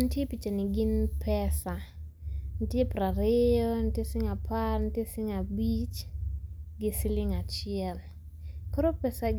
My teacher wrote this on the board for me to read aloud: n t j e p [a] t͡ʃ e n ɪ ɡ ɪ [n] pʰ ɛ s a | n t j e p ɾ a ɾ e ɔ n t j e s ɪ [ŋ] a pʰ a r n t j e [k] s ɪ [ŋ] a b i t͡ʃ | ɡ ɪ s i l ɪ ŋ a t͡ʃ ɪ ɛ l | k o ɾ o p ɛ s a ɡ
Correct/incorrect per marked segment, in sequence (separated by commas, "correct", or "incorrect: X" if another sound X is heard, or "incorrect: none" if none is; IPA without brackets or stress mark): incorrect: i, correct, correct, incorrect: none, correct